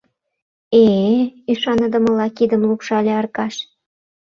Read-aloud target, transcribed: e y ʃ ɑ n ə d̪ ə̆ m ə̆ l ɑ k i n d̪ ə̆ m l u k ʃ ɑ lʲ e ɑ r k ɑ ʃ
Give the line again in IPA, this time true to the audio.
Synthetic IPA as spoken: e y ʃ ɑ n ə d̪ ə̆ m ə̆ l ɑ k i d̪ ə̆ m l u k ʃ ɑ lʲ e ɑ r k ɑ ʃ